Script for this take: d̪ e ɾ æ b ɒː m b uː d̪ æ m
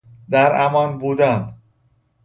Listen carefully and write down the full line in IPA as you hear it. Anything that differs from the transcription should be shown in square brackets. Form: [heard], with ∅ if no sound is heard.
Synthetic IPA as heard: d̪ [æ] ɾ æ [m] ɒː [n] b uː d̪ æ [n]